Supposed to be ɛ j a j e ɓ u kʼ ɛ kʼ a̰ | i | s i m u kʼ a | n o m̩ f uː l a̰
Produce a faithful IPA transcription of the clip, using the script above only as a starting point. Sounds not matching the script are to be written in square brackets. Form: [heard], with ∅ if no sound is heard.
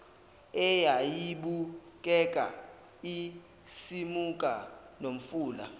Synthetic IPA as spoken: ɛ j a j [i] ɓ u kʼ ɛ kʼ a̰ | i | s i m u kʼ a | n o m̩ f uː l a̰

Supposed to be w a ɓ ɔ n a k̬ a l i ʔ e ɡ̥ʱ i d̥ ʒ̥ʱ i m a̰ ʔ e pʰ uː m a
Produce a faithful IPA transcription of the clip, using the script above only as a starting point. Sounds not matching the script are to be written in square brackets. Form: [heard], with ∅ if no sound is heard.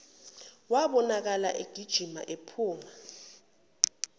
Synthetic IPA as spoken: w a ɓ ɔ n a k̬ a l [a] ʔ e ɡ̥ʱ i d̥ ʒ̥ʱ i m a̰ ʔ e pʰ uː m a

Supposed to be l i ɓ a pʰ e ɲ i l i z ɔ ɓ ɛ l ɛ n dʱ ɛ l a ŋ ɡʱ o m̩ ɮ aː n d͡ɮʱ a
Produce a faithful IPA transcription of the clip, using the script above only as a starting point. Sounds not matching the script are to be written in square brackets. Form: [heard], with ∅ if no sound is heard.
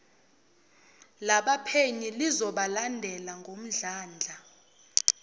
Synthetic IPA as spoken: l [a] ɓ a pʰ e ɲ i l i z ɔ ɓ [a] l [a] n dʱ ɛ l a ŋ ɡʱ o m̩ ɮ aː n d͡ɮʱ a

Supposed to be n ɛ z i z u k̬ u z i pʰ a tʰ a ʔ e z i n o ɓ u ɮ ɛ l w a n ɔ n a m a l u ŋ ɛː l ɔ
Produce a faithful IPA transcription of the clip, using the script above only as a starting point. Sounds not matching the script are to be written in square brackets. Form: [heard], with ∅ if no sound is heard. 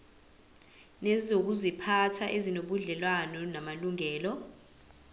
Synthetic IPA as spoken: n ɛ z i z [o] k̬ u z i pʰ a tʰ a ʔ e z i n o ɓ u ɮ ɛ l w a n ɔ n a m a l u ŋ ɛː l ɔ

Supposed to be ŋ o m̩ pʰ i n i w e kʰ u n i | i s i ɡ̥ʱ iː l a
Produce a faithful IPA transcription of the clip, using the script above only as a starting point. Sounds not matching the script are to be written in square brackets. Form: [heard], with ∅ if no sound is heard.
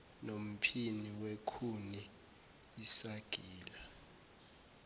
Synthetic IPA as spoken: [n] o m̩ pʰ i n i w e kʰ u n i | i s [a] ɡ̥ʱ iː l a

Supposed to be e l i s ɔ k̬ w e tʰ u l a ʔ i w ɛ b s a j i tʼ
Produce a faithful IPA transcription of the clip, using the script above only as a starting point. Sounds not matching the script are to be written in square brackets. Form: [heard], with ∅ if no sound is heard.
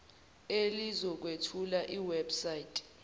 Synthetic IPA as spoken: e l i [z] ɔ k̬ w e tʰ u l a ʔ i w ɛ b s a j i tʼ

